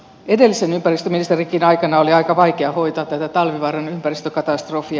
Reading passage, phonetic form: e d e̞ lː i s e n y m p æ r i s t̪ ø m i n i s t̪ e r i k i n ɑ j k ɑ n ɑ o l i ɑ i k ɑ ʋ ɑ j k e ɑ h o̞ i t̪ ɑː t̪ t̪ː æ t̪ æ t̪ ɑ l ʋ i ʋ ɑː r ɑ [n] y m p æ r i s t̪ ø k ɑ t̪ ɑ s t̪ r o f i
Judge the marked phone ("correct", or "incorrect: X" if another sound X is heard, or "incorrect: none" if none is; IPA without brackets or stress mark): correct